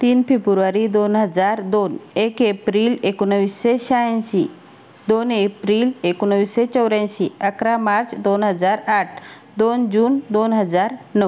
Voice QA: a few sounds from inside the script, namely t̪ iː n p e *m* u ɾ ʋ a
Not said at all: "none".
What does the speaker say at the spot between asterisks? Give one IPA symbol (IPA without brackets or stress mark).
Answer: b